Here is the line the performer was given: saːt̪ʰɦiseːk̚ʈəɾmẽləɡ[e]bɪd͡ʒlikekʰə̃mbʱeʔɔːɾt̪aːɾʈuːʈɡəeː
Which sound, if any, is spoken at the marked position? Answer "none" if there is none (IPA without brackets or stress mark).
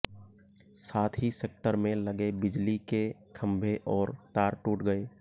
e